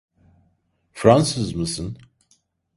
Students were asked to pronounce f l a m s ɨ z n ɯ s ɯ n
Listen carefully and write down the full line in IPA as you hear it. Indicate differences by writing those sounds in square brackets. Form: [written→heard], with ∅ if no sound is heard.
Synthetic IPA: f [l→ɾ] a [m→n] s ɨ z [n→m] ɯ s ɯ n